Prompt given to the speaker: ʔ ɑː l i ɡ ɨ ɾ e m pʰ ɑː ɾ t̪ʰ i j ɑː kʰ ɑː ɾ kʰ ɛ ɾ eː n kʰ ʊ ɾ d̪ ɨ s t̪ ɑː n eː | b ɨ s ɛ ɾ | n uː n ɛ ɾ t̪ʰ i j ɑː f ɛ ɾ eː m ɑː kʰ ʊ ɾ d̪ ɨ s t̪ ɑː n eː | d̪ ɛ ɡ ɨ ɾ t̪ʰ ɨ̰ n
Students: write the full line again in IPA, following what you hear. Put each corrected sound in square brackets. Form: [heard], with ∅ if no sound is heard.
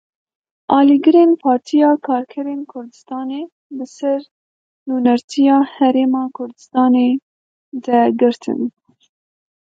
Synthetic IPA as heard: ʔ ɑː l i ɡ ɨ ɾ e [n] pʰ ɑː ɾ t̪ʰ i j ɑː kʰ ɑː ɾ kʰ ɛ ɾ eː n kʰ ʊ ɾ d̪ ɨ s t̪ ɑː n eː | b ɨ s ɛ ɾ | n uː n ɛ ɾ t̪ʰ i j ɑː [h] ɛ ɾ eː m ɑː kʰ ʊ ɾ d̪ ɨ s t̪ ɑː n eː | d̪ ɛ ɡ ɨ ɾ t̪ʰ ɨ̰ n

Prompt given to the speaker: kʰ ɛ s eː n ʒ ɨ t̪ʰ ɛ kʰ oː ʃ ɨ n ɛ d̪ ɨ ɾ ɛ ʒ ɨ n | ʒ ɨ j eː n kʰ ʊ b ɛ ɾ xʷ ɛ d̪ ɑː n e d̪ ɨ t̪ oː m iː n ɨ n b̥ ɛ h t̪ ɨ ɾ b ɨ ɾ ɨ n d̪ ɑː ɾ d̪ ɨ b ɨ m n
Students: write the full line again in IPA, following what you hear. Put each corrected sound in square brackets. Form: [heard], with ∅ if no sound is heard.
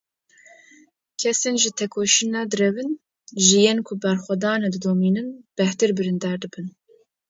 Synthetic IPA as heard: kʰ ɛ s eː n ʒ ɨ t̪ʰ ɛ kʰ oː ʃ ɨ n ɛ d̪ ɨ ɾ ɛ [v] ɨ n | ʒ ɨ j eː n kʰ ʊ b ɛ ɾ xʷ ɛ d̪ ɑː n e d̪ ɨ [d̪] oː m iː n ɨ n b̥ ɛ h t̪ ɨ ɾ b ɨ ɾ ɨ n d̪ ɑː ɾ d̪ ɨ b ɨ [∅] n

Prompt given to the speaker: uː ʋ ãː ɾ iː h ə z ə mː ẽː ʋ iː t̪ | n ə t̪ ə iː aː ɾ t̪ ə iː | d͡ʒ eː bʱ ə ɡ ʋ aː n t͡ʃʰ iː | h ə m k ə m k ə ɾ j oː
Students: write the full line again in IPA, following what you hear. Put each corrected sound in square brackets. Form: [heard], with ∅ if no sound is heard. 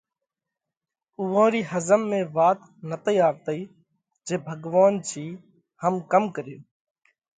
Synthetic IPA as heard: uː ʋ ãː ɾ iː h ə z ə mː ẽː ʋ [aː] t̪ | n ə t̪ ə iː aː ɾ t̪ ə iː | d͡ʒ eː bʱ ə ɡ ʋ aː n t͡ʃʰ iː | h ə m k ə m k ə ɾ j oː

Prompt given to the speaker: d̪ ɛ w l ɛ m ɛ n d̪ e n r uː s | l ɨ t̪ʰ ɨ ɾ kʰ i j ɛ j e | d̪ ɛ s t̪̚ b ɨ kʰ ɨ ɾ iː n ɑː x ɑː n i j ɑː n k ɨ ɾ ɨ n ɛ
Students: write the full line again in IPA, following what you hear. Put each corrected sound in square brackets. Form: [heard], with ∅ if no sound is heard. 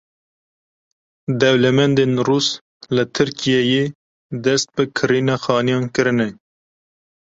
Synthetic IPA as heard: d̪ ɛ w l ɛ m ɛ n d̪ e n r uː s | l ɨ t̪ʰ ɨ ɾ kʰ i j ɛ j e | d̪ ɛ s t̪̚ b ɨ kʰ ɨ ɾ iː n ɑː x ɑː n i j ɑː n k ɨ ɾ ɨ n ɛ

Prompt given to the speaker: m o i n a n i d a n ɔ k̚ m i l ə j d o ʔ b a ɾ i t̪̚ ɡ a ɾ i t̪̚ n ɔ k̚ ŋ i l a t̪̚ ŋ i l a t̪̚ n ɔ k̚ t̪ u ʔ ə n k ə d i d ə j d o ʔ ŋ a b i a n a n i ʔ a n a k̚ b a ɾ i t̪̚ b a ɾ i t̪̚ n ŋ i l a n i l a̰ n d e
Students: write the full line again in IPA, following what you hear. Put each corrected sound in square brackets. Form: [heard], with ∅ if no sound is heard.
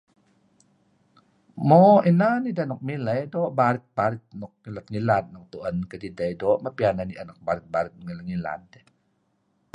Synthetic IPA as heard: m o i n a n i d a n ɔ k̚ m i l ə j d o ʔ b a ɾ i t̪̚ [b] a ɾ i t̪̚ n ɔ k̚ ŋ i l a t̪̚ ŋ i l a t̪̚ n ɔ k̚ t̪ u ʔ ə n k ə d i d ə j d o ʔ [m] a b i a n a n i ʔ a n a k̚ b a ɾ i t̪̚ b a ɾ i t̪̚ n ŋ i l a [ŋ] i l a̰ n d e

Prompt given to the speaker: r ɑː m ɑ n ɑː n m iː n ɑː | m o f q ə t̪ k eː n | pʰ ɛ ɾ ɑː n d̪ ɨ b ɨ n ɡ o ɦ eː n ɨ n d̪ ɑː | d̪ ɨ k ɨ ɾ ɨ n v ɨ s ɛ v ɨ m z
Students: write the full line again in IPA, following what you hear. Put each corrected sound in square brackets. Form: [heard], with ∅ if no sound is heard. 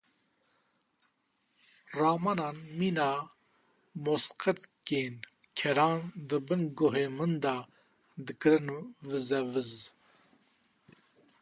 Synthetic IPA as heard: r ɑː m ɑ n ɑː n m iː n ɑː | m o [s] q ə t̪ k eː n | [kʰ] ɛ ɾ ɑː n d̪ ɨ b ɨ n ɡ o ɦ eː [m] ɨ n d̪ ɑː | d̪ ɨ k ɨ ɾ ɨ n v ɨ [z] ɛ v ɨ [∅] z

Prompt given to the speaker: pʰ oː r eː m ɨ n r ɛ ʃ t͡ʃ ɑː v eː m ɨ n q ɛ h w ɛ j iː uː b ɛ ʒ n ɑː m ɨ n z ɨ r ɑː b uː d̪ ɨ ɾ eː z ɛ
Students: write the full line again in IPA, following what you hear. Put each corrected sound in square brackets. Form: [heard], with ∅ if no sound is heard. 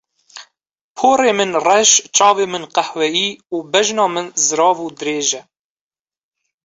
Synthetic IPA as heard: pʰ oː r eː m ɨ n r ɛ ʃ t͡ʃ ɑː v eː m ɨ n q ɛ h w ɛ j iː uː b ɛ ʒ n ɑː m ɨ n z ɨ [ɾ] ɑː [v] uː d̪ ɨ ɾ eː [ʒ] ɛ

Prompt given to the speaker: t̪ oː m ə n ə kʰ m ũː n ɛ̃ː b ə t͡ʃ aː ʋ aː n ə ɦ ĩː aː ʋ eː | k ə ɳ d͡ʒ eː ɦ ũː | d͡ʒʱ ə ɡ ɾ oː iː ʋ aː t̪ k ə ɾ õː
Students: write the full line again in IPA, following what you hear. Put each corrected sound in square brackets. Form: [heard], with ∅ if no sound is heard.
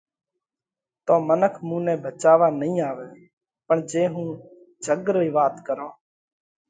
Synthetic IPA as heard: t̪ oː m ə n ə kʰ m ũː n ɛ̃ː b ə t͡ʃ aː ʋ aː n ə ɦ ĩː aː ʋ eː | [p] ə ɳ d͡ʒ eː ɦ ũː | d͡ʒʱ ə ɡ ɾ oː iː ʋ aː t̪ k ə ɾ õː

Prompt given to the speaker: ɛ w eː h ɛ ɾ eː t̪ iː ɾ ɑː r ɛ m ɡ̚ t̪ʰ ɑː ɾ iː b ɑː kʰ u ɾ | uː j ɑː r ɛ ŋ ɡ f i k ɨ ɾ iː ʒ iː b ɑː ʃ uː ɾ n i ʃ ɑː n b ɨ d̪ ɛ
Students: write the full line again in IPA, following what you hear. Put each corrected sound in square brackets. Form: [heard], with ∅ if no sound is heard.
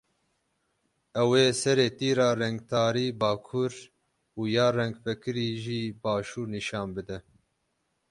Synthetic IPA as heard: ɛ w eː [s] ɛ ɾ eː t̪ iː ɾ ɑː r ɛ [ŋ] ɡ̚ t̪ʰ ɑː ɾ iː b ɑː kʰ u ɾ | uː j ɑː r ɛ ŋ ɡ f [ɛ] k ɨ ɾ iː ʒ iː b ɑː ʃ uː ɾ n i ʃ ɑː n b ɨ d̪ ɛ

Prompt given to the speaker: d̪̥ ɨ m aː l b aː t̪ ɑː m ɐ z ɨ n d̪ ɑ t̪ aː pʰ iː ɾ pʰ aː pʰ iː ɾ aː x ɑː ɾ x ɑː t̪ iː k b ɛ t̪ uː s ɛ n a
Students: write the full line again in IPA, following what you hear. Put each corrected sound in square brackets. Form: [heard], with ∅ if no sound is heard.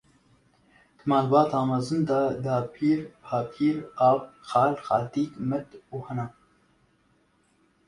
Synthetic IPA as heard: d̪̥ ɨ m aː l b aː t̪ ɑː m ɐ z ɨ n d̪ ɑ [d̪] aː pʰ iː ɾ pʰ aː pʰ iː ɾ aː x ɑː [l] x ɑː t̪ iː k [m] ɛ t̪ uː [h] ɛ n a

